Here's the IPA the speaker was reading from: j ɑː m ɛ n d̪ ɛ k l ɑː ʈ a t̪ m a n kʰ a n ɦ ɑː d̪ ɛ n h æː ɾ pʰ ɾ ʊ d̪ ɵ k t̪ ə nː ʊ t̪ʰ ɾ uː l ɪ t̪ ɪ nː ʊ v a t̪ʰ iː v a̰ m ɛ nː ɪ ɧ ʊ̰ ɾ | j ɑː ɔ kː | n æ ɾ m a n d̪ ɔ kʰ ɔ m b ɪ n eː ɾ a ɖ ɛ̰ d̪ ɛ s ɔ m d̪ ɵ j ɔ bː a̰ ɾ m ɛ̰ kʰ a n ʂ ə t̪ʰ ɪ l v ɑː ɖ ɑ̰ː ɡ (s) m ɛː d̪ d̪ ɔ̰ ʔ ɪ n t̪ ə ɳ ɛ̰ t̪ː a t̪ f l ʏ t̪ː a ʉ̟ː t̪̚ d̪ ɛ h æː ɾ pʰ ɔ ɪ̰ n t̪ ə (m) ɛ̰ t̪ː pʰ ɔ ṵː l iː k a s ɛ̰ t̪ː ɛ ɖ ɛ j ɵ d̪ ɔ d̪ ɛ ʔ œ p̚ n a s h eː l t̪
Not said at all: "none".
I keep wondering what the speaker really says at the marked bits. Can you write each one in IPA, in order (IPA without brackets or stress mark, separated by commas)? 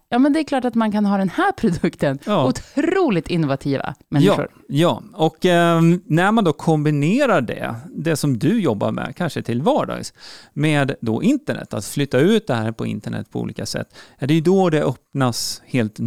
s, ɳ